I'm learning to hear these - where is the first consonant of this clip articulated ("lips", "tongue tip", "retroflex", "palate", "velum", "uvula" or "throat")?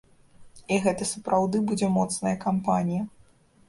velum